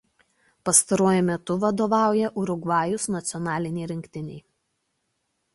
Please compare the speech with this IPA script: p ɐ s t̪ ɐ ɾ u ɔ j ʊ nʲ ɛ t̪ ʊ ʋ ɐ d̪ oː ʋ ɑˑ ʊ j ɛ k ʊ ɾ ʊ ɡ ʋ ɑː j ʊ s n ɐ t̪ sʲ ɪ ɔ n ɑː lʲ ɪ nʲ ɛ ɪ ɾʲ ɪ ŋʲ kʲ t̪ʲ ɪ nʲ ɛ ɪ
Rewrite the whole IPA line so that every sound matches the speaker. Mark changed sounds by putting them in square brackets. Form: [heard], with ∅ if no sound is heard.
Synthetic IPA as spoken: p ɐ s t̪ ɐ ɾ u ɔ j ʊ [mʲ] ɛ t̪ ʊ ʋ ɐ d̪ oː ʋ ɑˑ ʊ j ɛ [ʔ] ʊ ɾ ʊ ɡ ʋ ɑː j ʊ s n ɐ t̪ sʲ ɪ ɔ n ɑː lʲ ɪ nʲ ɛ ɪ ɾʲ ɪ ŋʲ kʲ t̪ʲ ɪ nʲ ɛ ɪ